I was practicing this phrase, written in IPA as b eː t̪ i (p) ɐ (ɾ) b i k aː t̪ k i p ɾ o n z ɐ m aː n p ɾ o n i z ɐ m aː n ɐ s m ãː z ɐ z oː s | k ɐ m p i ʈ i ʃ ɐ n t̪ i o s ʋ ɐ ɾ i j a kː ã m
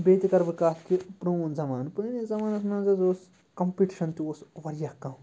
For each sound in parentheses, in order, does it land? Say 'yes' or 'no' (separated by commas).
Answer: no, yes